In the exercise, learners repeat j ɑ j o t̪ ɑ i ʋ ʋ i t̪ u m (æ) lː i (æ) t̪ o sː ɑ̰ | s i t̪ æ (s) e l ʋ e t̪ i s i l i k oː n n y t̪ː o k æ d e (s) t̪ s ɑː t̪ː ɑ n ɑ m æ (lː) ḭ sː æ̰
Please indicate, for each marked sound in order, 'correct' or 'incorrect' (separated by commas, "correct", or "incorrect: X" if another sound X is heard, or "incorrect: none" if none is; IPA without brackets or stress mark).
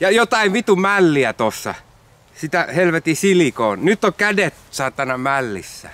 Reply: correct, correct, incorrect: h, incorrect: none, correct